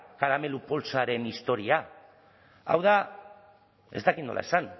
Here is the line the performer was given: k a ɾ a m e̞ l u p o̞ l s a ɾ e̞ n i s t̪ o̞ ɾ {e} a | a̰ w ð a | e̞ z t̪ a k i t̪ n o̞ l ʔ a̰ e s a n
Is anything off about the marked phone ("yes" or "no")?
yes